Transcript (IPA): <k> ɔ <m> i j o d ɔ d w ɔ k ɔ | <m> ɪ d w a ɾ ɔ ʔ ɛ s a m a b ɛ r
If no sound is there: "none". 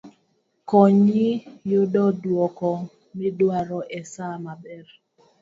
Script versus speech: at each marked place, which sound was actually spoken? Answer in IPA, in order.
k, ɲ, m

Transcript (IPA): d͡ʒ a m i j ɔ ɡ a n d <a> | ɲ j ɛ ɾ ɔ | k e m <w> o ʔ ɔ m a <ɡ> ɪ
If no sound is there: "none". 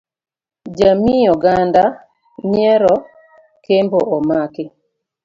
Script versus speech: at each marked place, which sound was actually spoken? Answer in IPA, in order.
a, b, k

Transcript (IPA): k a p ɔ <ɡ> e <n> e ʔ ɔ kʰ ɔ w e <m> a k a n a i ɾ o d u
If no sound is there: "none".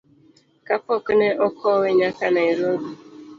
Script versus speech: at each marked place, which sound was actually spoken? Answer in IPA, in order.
k, n, ɲ

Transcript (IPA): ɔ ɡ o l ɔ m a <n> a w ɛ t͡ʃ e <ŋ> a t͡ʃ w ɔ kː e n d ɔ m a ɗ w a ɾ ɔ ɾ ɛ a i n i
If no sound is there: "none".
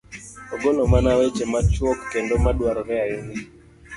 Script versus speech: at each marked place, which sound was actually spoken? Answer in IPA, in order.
n, m

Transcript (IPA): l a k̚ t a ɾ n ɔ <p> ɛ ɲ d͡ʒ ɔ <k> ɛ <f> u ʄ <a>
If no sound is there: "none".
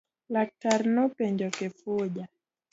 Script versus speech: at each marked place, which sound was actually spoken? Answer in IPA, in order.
p, k, f, a

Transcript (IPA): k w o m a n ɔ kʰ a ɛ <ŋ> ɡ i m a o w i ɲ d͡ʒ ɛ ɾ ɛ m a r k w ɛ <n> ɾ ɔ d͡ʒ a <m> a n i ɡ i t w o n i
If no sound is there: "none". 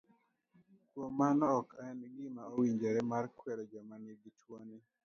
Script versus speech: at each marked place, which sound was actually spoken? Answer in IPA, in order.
n, none, m

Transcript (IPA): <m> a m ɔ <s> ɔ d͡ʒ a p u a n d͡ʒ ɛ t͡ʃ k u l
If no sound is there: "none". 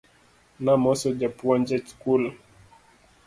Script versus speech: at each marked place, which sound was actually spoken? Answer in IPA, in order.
n, s

